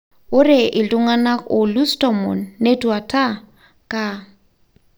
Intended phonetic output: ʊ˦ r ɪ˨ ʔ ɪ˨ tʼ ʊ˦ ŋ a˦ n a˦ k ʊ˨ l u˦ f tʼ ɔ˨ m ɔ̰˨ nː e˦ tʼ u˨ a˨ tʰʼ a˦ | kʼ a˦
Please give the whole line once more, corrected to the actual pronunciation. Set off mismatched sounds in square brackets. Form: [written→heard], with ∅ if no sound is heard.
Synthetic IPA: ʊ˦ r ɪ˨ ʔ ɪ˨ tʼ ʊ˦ ŋ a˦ n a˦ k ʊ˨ l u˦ [f→s] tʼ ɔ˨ m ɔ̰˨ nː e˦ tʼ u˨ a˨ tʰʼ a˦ | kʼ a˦